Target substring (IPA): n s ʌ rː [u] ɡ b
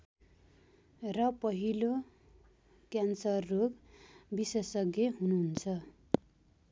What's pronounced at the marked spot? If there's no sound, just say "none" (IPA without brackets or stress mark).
o